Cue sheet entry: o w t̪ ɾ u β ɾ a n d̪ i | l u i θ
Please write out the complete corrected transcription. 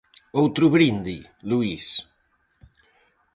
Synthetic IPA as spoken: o w t̪ ɾ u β ɾ i n d̪ i | l u i s